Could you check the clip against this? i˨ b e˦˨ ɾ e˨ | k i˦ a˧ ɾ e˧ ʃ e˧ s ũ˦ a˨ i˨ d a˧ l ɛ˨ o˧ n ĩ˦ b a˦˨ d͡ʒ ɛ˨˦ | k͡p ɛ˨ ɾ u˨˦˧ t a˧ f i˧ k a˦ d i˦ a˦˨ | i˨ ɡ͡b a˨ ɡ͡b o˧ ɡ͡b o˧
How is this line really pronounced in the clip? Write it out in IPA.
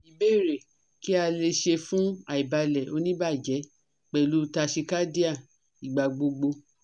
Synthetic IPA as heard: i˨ b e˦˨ ɾ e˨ | k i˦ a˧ l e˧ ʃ e˧ f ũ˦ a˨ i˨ b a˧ l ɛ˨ o˧ n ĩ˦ b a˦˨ d͡ʒ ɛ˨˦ | k͡p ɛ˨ l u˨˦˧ t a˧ ʃ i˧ k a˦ d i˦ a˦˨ | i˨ ɡ͡b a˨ ɡ͡b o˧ ɡ͡b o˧